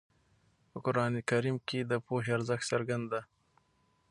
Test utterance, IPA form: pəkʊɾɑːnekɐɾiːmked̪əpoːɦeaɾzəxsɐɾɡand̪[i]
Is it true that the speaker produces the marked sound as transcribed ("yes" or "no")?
no